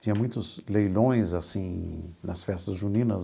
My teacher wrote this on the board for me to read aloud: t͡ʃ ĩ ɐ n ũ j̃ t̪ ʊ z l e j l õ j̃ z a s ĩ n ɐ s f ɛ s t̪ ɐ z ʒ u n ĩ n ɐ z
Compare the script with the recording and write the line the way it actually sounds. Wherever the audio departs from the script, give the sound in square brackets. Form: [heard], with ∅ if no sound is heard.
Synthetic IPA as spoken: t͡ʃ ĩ ɐ [m] ũ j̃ t̪ ʊ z l e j l õ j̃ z a s ĩ n ɐ s f ɛ s t̪ ɐ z ʒ u n ĩ n ɐ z